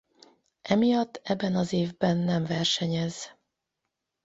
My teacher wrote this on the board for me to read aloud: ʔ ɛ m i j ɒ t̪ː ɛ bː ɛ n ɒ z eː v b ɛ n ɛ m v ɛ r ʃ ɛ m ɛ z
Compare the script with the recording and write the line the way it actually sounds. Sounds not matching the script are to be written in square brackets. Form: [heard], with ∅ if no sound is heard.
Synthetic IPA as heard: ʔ ɛ m i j ɒ t̪ː ɛ bː ɛ n ɒ z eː v b ɛ [nː] ɛ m v ɛ r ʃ ɛ [ɲ] ɛ z